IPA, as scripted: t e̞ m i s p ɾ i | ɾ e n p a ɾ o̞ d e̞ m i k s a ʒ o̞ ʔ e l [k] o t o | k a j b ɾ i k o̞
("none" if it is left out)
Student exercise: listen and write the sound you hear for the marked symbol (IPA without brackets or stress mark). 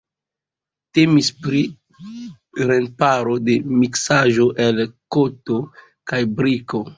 k